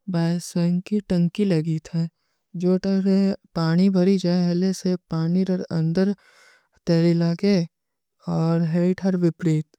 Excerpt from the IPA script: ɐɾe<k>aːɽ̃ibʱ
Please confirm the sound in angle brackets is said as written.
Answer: no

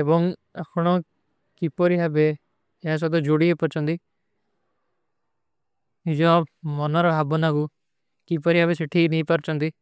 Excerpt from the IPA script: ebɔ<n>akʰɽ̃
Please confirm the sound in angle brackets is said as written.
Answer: no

